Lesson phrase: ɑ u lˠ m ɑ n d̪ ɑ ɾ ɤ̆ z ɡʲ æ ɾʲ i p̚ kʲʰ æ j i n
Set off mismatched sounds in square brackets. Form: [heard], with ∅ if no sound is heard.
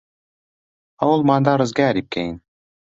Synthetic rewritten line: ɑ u lˠ m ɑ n d̪ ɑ ɾ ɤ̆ z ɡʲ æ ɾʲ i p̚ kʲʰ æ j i n